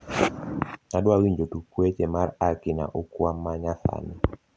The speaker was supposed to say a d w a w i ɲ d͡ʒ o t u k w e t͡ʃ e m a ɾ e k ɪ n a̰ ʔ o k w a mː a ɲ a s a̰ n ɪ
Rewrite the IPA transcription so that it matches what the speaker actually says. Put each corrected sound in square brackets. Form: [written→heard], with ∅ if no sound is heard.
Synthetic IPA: a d w a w i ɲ d͡ʒ o t u k w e t͡ʃ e m a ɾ [e→a] k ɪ n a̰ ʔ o k w a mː a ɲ a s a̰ n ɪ